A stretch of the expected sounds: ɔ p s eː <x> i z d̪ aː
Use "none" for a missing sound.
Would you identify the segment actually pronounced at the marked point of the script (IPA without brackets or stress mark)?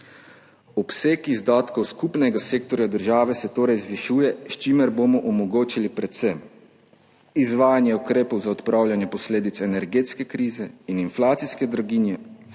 k